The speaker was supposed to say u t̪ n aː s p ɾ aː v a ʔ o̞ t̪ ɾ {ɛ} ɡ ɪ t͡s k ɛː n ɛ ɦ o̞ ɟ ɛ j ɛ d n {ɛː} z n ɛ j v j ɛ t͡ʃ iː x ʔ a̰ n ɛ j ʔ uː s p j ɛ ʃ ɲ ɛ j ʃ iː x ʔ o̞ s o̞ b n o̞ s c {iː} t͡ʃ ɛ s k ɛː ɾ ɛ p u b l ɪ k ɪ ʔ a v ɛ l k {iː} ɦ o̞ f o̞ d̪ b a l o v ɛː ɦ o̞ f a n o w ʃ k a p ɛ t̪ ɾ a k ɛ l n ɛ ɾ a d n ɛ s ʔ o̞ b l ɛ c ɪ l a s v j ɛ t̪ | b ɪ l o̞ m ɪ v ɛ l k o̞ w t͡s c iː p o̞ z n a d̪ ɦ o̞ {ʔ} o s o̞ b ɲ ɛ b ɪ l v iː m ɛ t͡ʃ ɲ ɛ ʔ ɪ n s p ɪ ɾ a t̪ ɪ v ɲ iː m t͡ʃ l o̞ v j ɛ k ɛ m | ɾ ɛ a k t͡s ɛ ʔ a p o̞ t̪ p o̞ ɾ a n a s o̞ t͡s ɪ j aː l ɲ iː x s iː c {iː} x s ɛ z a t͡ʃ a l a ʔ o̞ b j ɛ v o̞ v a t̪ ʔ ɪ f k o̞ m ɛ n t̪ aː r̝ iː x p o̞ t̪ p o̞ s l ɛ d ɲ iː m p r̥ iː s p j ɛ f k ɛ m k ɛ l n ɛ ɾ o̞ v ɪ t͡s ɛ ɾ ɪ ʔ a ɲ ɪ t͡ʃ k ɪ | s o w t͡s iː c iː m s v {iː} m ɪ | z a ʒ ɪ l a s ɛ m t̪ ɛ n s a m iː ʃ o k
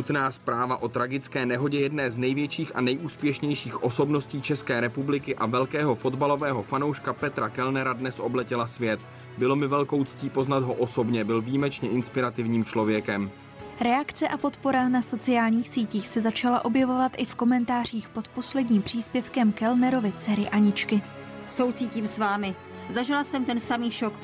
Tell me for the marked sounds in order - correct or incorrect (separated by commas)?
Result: incorrect, correct, correct, incorrect, correct, correct, incorrect